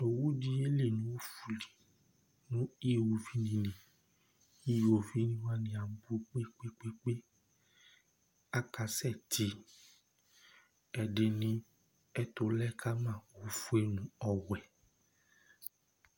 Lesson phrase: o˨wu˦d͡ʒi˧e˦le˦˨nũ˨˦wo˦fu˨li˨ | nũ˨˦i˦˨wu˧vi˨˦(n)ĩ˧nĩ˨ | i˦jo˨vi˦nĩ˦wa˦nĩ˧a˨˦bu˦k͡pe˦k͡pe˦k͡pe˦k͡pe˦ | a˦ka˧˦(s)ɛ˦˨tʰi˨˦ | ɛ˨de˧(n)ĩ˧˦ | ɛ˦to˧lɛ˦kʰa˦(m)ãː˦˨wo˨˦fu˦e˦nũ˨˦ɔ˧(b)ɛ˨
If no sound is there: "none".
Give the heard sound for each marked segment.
n, s, n, m, w

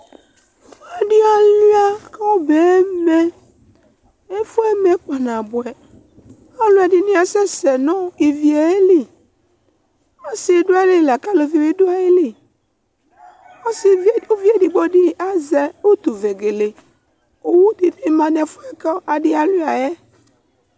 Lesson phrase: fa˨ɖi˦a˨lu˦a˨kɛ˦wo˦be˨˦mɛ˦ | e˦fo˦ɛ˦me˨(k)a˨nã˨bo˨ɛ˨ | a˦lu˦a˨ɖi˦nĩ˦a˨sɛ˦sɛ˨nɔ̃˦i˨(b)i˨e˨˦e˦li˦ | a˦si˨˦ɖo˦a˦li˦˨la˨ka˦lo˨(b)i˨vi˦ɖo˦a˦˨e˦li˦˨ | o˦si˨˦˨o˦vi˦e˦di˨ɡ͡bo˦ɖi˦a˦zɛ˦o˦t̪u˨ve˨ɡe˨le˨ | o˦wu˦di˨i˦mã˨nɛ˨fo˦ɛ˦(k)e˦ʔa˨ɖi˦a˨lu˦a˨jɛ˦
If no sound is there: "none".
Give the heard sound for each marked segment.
k͡p, v, v, k

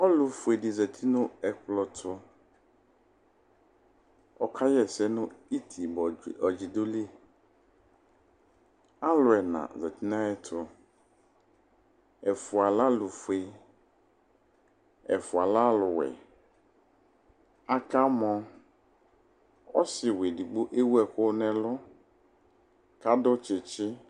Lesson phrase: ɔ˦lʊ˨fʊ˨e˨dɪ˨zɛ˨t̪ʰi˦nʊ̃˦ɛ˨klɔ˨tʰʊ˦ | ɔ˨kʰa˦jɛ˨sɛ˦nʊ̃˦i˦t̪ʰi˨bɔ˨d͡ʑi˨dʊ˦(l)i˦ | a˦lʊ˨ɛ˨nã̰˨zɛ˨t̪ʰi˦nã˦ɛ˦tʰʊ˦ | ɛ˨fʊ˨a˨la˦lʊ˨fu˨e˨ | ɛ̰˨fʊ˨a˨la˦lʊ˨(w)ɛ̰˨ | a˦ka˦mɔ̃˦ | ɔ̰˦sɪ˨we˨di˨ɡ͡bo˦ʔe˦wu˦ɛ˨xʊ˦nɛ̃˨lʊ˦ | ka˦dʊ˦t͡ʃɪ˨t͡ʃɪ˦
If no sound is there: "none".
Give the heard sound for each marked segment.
l, w

